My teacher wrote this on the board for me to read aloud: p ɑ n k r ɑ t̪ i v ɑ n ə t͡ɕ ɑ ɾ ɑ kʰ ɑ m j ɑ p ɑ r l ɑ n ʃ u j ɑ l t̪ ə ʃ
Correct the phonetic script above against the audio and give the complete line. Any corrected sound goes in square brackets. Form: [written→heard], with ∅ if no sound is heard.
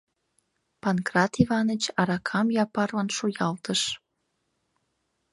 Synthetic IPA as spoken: p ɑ n k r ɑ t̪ i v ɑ n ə t͡ɕ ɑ ɾ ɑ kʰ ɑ m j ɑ p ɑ r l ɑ n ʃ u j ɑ l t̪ ə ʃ